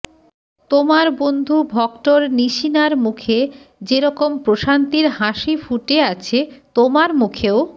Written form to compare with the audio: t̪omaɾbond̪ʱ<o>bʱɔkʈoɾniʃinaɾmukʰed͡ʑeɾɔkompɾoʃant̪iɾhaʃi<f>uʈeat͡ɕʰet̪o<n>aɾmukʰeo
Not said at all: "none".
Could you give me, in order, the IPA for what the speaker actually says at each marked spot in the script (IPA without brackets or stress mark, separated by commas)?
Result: u, f, m